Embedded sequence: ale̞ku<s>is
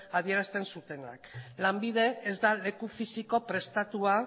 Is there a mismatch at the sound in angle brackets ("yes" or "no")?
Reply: yes